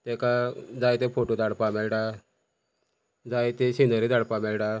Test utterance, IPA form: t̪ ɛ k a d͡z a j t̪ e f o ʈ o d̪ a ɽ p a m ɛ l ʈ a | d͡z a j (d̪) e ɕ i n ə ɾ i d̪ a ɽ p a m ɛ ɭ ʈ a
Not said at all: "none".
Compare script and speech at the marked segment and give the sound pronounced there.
t̪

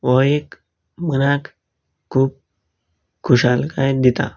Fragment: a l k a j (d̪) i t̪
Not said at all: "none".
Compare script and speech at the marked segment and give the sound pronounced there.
d̪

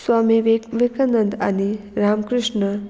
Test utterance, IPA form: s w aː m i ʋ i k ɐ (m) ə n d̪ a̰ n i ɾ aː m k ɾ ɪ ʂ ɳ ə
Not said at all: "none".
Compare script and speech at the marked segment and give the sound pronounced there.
n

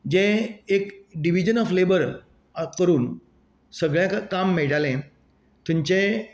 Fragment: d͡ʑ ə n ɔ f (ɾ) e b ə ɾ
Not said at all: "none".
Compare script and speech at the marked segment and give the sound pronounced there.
l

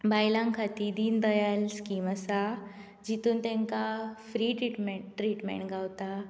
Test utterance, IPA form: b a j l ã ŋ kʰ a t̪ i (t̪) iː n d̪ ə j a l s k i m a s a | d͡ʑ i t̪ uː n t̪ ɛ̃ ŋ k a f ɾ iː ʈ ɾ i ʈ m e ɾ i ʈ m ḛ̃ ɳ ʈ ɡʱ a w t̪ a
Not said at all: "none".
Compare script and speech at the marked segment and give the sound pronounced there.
d̪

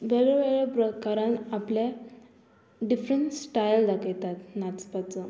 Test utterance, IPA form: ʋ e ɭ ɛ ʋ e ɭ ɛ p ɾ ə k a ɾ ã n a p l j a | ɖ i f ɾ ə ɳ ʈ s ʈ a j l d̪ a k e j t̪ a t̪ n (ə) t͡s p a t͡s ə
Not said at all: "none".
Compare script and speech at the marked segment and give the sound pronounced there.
a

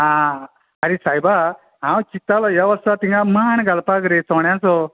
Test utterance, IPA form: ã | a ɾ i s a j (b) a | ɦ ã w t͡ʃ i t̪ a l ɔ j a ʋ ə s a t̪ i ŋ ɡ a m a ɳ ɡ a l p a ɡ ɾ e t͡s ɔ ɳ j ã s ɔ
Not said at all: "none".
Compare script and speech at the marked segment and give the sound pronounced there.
b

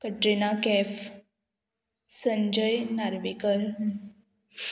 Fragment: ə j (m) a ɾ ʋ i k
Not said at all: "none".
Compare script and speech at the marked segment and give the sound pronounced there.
n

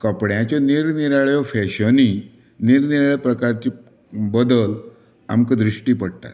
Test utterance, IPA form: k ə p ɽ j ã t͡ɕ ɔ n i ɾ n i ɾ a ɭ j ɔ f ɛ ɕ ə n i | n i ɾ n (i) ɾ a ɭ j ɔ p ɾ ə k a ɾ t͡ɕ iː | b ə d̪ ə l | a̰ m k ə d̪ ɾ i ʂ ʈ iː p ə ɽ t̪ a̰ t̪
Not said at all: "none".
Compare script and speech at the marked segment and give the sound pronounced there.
i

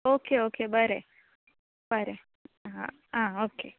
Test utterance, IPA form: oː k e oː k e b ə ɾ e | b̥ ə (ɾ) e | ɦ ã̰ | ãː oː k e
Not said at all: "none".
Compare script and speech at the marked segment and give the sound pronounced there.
ɾ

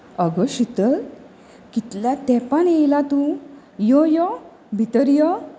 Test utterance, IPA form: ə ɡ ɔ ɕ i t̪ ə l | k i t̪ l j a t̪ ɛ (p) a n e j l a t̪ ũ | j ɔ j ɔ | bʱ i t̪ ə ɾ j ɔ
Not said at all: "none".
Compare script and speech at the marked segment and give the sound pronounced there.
p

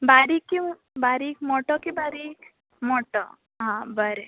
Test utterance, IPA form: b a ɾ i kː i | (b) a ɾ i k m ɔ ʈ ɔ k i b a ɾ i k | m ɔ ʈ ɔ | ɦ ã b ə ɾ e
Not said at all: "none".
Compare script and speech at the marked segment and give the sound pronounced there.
b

